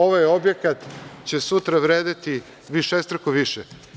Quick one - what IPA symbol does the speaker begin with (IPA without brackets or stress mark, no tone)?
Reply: o̞